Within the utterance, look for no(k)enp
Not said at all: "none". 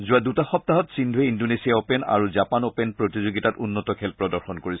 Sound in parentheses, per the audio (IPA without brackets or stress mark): p